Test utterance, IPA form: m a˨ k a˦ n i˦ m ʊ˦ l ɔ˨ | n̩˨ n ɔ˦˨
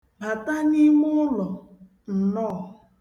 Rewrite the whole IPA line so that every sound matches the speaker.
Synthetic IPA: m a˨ t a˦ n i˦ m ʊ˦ l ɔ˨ | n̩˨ n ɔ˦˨